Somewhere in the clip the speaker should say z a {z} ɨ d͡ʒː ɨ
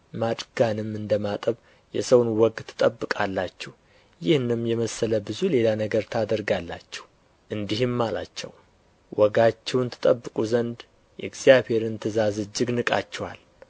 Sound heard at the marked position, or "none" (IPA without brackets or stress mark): z